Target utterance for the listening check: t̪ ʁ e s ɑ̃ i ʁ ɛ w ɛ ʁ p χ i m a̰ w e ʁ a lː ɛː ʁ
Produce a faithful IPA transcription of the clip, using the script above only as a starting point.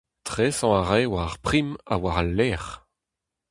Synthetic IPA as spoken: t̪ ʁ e s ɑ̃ a ʁ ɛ w a ʁ p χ i m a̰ w a ʁ a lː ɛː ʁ

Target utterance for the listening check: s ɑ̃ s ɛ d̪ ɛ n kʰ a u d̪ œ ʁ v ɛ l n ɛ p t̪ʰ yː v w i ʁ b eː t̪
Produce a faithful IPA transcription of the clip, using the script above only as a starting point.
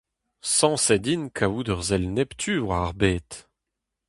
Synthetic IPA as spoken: s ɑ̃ s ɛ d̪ i n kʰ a u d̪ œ ʁ z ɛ l n ɛ p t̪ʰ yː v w a ʁ b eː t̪

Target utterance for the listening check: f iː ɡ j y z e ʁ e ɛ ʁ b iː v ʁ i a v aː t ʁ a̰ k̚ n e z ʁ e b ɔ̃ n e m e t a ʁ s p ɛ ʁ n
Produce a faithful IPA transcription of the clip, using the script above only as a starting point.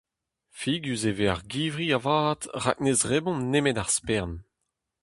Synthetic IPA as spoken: f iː ɡ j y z e v e a ʁ ɡ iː v ʁ i a v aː t ʁ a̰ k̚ n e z ʁ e b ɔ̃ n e m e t a ʁ s p ɛ ʁ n

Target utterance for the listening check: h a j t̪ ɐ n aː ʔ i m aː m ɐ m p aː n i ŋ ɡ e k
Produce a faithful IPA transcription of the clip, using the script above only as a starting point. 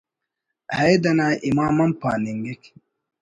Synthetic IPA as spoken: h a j d̪ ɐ n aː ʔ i m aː m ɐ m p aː n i ŋ ɡ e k

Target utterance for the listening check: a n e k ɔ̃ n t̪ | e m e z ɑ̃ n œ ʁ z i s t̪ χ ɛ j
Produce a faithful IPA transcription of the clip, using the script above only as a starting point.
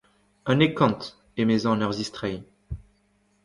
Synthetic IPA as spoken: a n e k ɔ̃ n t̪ | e m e z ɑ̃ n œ ʁ z i s t̪ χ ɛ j

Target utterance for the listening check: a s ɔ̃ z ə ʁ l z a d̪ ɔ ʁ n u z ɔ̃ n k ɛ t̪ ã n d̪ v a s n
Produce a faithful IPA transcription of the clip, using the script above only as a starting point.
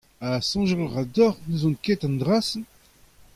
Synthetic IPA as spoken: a s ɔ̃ ʒ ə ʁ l ʁ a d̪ ɔ ʁ n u z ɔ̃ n k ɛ t̪ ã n d̪ ʁ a s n

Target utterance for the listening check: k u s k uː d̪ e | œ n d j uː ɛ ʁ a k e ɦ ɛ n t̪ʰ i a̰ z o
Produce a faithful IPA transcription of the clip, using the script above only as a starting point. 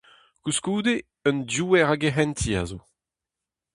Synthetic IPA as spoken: k u s k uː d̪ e | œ n d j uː ɛ ʁ a ɡ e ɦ ɛ n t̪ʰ i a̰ z o

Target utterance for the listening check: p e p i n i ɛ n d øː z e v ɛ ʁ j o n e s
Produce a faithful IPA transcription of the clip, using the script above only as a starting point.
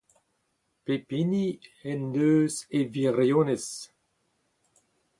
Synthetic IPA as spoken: p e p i n i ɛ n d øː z e v i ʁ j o n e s

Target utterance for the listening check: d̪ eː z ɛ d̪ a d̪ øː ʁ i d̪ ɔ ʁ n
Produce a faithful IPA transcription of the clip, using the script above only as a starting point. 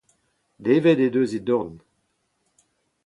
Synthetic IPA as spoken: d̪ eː v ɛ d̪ e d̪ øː z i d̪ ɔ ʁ n

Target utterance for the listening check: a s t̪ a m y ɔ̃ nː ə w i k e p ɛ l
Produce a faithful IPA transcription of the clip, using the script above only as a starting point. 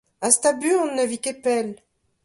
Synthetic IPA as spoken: a s t̪ a b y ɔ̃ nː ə v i k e p ɛ l

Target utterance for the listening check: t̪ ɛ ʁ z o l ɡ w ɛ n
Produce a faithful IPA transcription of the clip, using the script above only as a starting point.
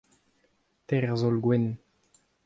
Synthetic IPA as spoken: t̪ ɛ ʁ z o l ɡ w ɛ n

